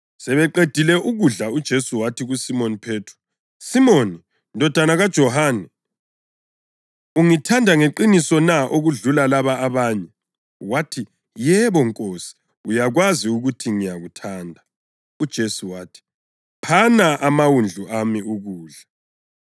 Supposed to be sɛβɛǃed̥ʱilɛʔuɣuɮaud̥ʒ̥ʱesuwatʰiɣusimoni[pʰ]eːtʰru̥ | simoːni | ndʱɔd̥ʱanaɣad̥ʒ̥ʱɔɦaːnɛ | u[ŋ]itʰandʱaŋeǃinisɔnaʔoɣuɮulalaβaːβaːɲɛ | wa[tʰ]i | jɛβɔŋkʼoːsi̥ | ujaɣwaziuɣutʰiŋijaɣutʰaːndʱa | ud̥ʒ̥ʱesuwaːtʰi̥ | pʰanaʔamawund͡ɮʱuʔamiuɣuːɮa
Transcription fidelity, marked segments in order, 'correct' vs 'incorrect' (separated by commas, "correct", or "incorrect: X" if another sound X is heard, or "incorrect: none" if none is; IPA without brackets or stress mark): correct, correct, correct